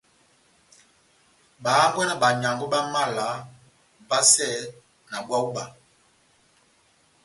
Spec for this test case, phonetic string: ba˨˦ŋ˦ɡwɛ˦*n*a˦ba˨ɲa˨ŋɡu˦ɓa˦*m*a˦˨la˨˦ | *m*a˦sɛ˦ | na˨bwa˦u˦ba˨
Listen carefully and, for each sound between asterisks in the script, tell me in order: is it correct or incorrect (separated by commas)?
correct, correct, incorrect